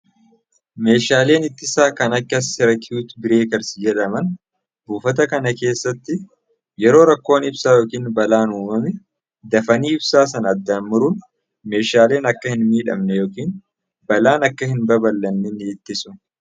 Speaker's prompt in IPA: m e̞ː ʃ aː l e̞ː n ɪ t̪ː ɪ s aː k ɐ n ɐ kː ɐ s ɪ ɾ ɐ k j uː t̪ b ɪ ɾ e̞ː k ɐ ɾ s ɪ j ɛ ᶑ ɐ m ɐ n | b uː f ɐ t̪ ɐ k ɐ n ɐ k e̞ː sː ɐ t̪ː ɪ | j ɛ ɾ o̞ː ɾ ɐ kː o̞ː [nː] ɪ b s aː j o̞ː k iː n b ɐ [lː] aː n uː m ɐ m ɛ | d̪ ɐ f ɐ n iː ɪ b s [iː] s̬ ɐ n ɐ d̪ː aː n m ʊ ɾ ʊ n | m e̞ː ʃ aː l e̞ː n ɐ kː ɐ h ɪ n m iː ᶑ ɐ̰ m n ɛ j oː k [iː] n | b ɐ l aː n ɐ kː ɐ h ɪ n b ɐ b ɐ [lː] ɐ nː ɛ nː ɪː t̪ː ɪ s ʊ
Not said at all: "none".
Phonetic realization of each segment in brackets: n, l, aː, iː, lː

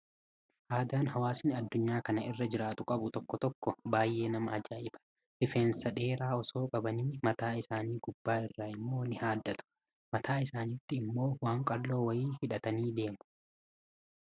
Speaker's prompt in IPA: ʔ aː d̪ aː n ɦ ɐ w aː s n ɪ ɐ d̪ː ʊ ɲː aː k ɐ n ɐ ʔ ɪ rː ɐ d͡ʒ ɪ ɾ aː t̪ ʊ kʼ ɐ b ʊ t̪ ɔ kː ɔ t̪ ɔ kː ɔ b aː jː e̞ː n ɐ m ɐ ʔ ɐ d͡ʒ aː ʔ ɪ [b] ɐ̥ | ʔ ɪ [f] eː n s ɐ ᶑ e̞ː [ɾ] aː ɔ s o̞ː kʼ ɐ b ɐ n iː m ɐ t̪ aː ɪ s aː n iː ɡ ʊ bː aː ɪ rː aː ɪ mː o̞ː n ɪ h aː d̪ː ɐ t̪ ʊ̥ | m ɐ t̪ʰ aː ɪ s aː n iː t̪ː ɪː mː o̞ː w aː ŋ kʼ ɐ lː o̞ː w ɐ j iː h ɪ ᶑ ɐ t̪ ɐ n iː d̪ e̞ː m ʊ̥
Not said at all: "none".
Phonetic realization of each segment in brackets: b, f, ɾ

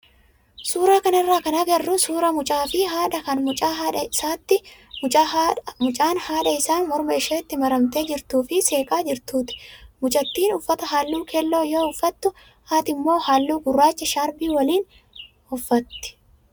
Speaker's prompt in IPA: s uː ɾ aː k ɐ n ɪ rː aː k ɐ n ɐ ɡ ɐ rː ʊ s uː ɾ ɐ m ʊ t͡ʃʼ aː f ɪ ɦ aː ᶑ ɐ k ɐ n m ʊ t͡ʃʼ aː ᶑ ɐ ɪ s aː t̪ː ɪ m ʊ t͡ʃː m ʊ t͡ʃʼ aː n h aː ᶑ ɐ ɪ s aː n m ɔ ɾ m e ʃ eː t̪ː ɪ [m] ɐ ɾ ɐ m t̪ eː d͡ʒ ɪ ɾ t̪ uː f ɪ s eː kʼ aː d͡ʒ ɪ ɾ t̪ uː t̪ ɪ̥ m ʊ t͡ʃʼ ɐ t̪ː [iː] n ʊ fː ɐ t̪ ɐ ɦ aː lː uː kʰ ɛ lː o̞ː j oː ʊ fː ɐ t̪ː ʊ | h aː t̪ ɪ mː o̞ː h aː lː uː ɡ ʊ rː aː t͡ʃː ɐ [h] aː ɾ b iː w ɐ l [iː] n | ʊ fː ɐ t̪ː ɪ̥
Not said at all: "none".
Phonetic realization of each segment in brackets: m, iː, ʃ, iː

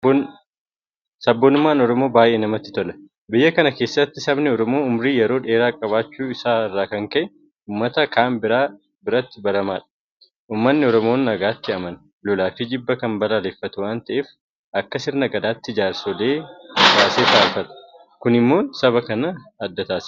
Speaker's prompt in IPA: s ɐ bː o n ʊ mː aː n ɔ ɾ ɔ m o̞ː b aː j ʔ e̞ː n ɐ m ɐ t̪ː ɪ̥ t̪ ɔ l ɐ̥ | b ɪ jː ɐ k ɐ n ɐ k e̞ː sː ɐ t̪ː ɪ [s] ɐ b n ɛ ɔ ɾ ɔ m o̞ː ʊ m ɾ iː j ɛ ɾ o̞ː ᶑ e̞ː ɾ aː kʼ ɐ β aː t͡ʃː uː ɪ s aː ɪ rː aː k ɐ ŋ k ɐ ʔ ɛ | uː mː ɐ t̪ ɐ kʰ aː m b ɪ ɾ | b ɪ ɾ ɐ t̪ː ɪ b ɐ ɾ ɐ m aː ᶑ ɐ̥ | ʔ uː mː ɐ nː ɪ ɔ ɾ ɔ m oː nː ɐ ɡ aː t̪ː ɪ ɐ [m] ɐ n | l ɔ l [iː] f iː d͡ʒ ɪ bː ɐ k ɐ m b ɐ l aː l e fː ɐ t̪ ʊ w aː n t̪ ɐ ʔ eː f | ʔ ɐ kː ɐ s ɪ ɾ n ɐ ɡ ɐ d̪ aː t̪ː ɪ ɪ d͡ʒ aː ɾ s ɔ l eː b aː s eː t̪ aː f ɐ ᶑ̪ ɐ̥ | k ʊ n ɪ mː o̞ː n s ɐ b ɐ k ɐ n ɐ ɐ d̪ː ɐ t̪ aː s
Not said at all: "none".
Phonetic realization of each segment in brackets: s, m, aː

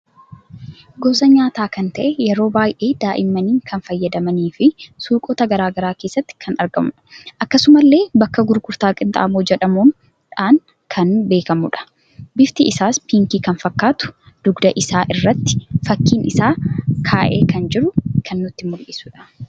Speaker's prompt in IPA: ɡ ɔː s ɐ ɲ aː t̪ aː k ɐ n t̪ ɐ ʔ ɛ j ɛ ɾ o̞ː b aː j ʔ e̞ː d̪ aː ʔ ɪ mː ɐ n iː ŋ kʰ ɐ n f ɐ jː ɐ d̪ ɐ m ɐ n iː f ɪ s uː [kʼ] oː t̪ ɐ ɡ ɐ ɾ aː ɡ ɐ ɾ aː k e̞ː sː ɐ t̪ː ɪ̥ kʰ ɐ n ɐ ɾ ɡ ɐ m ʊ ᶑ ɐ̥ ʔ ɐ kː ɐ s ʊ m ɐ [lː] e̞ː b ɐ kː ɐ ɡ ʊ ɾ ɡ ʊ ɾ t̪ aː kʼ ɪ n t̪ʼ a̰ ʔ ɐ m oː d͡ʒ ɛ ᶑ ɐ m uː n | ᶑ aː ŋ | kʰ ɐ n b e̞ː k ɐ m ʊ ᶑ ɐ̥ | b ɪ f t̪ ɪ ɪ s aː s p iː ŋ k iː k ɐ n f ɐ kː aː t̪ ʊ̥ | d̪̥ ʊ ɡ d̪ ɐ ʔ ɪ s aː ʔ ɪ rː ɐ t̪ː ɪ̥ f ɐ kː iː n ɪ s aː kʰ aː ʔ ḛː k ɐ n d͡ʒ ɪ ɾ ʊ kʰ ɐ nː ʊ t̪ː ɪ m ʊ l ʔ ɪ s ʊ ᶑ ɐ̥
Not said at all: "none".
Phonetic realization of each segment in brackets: kʼ, lː

